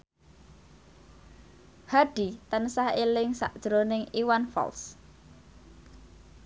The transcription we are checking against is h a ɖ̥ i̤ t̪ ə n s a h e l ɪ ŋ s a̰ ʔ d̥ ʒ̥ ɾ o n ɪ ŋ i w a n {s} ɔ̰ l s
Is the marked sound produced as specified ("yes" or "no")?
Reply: no